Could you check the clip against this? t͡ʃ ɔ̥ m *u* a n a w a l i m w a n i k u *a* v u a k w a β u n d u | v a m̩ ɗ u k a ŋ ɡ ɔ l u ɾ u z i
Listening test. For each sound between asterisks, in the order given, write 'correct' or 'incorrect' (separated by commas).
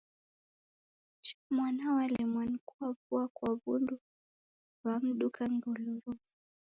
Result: incorrect, correct